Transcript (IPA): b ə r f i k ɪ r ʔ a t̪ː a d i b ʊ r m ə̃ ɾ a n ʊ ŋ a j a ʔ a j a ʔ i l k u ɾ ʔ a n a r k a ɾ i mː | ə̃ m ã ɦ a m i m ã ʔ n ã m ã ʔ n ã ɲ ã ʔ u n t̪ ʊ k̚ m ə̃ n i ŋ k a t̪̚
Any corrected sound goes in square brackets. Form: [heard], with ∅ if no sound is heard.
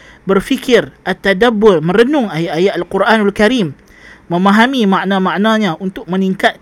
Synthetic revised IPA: b ə r f i k ɪ r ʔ a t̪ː a d [a] b ʊ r m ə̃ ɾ [ə] n ʊ ŋ a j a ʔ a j a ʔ [a] l k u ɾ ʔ a n a [l] k a ɾ i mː | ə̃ m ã ɦ a m i m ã ʔ n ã m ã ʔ n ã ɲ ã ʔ u n t̪ ʊ k̚ m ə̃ n i ŋ k a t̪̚